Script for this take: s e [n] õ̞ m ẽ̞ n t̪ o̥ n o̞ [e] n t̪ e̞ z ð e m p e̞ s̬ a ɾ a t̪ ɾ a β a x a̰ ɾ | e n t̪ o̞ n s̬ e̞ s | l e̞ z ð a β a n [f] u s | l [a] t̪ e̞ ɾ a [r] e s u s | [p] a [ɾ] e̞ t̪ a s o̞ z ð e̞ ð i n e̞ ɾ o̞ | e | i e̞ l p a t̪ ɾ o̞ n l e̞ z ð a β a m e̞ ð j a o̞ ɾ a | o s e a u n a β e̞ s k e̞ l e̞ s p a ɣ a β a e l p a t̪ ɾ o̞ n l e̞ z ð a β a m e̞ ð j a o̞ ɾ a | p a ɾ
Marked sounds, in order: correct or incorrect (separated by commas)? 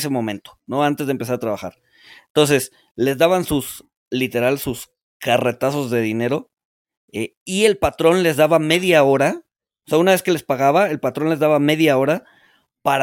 incorrect, incorrect, incorrect, incorrect, incorrect, incorrect, incorrect